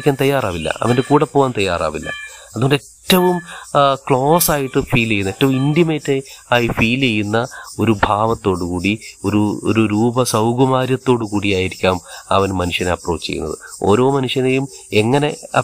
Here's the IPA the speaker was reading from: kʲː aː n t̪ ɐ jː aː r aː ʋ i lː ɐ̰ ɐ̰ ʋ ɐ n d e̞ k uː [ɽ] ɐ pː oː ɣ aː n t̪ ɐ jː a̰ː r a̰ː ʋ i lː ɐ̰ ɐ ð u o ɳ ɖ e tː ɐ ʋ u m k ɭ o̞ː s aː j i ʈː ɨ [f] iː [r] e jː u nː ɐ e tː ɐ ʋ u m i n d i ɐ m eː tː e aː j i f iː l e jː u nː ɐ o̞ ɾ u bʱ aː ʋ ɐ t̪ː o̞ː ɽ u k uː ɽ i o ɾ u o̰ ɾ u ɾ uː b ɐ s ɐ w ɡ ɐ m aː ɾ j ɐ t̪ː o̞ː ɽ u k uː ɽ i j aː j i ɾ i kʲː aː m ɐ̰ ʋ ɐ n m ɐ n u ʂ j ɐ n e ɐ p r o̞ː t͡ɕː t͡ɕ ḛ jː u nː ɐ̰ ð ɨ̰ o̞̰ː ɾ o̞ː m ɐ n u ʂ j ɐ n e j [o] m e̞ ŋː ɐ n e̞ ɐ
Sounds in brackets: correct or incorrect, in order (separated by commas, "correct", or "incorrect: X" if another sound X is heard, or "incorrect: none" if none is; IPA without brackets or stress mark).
correct, correct, incorrect: l, incorrect: u